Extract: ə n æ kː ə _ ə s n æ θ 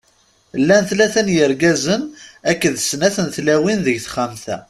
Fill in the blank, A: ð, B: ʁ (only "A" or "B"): A